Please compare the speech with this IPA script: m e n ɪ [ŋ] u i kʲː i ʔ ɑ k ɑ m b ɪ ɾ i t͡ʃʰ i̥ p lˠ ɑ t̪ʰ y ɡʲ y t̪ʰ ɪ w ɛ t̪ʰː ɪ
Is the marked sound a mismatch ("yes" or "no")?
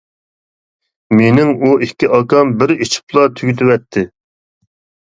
no